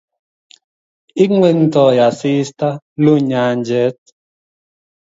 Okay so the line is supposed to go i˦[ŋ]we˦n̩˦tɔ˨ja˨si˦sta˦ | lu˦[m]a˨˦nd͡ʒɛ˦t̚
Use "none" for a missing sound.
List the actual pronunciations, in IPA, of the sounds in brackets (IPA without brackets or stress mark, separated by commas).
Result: ŋ, ɲ